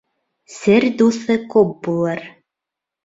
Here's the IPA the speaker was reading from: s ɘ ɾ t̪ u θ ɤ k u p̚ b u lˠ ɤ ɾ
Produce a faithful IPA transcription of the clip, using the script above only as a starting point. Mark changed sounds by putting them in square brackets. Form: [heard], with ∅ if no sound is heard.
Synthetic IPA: s ɘ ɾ [d̪] u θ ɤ k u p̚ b u lˠ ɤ ɾ